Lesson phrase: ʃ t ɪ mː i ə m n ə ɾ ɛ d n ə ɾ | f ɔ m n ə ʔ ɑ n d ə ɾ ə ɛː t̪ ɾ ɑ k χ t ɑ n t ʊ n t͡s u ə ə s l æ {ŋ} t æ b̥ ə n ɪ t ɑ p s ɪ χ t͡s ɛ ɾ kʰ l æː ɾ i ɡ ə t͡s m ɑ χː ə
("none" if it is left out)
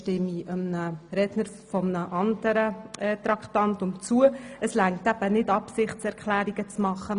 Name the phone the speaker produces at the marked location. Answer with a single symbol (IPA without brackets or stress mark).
ŋ